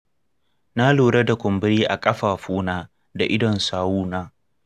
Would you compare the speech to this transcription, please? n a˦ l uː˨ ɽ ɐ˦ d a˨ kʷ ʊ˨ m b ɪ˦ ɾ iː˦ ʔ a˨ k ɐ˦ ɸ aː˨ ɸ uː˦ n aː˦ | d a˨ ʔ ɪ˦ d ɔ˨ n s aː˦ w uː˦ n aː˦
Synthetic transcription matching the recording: n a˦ l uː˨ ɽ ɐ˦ d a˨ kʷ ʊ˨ m b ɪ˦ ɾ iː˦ ʔ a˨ kʼ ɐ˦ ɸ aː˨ ɸ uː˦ n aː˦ | d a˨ ʔ ɪ˦ d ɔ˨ n s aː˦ w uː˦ n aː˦